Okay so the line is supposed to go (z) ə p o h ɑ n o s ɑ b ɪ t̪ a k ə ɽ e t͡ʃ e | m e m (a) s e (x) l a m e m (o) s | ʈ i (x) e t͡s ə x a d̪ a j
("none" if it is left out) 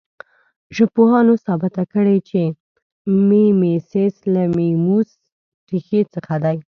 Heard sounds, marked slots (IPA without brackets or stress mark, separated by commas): ʒ, e, s, u, x